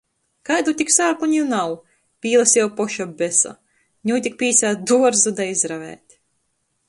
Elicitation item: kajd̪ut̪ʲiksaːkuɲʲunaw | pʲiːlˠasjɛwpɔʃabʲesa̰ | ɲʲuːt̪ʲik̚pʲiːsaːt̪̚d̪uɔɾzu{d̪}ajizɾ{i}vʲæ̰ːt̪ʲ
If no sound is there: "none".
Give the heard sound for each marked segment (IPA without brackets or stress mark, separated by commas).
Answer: d̪, a